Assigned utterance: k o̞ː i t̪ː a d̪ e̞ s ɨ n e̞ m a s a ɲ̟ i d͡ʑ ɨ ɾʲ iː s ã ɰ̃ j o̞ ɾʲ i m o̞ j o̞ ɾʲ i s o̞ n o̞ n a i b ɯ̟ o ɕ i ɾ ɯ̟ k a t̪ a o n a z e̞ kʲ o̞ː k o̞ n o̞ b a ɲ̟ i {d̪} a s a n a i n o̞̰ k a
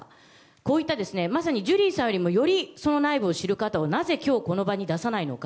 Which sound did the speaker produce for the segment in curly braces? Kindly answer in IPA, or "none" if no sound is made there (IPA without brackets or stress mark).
d̪